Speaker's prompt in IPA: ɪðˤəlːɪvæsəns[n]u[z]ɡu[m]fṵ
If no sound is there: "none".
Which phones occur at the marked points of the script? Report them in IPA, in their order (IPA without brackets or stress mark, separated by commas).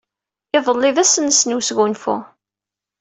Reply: n, s, n